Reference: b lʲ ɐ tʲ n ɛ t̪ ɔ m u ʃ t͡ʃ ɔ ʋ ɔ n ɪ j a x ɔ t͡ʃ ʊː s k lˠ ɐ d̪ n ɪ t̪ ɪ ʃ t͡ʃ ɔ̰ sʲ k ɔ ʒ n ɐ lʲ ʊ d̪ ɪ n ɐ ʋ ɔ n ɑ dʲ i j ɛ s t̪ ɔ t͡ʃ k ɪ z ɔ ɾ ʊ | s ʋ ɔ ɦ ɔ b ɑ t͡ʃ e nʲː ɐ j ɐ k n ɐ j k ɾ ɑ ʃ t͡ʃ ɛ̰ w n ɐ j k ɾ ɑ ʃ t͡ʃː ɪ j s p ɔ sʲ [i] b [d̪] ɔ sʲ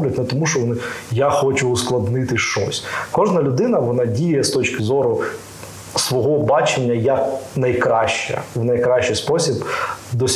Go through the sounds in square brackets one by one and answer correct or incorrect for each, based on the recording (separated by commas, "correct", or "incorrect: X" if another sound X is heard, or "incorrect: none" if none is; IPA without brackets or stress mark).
correct, correct